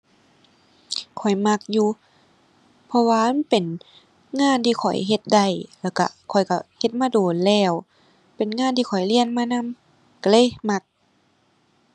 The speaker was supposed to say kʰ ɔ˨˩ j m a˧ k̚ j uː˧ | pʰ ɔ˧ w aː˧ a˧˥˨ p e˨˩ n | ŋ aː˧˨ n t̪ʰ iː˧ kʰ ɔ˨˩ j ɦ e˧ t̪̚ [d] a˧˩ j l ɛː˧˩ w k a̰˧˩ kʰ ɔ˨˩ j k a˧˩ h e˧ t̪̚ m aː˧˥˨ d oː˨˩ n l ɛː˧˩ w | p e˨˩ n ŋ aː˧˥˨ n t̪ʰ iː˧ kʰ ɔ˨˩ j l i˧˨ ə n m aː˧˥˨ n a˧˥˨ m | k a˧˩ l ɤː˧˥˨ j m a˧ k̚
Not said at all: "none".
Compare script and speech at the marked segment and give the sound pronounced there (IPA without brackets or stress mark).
d